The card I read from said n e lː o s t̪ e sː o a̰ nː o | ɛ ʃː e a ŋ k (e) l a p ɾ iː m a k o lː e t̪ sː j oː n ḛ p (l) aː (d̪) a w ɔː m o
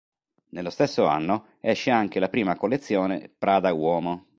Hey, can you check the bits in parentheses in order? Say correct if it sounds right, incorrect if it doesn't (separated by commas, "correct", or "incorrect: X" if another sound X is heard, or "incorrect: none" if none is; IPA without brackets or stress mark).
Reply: correct, incorrect: ɾ, correct